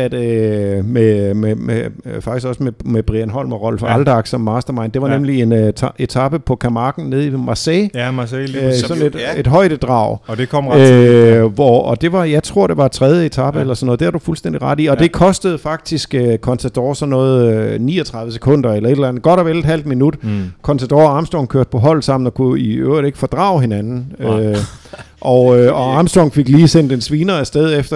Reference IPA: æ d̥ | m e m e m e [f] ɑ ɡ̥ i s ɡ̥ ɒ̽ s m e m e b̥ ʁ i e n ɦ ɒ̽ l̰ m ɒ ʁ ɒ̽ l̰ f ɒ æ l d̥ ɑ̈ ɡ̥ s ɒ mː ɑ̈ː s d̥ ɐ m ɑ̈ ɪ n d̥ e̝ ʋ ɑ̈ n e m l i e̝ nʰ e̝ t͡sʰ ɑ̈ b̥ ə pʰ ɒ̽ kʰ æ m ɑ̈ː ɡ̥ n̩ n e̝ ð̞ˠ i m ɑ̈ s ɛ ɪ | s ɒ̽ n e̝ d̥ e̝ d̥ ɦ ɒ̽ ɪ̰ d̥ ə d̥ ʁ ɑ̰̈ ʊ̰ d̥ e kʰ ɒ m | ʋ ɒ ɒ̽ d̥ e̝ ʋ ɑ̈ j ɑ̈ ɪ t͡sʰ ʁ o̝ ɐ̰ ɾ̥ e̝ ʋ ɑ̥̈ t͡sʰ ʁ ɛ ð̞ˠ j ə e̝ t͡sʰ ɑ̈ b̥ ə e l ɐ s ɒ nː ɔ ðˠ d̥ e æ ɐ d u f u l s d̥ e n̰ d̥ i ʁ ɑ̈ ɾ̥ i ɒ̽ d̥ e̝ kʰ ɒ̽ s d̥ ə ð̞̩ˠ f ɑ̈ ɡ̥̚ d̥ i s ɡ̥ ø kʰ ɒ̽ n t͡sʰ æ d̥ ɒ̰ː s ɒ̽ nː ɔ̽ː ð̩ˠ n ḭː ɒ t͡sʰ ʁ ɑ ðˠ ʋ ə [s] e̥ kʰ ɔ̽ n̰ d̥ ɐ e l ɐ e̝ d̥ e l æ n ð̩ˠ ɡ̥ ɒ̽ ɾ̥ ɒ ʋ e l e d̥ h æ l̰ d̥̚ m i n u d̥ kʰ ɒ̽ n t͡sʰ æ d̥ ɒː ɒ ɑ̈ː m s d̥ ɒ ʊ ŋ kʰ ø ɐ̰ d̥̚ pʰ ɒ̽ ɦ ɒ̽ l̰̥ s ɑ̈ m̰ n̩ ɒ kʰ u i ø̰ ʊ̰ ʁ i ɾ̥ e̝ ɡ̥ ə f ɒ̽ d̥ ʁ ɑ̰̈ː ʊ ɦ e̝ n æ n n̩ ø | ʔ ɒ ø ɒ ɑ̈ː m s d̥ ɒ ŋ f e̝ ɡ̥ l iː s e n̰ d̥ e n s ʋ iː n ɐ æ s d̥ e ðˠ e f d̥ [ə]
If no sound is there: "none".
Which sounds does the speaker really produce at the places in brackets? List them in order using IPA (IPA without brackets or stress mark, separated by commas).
f, s, ɐ